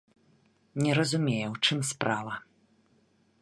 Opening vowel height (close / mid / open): mid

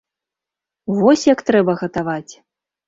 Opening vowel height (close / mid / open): mid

